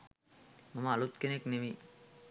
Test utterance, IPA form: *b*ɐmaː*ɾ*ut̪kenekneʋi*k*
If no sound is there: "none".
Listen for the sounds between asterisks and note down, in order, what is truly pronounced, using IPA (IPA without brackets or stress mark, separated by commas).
m, l, none